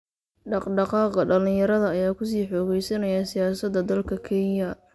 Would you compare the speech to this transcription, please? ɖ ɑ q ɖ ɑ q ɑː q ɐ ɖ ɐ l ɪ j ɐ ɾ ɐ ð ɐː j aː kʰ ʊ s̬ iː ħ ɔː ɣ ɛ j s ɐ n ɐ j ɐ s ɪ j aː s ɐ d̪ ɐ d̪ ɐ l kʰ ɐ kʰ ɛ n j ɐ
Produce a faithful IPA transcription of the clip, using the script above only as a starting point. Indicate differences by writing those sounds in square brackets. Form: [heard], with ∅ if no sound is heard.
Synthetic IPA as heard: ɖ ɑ q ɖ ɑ q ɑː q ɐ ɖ ɐ l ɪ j ɐ ɾ ɐ ð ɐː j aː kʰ ʊ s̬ iː ħ ɔː ɣ ɛ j s ɐ n ɐ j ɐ s ɪ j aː s ɐ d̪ ɐ d̪ ɐ l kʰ ɐ kʰ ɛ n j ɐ